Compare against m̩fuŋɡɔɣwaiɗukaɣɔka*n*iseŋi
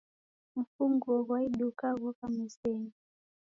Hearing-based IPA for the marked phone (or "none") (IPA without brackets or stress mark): m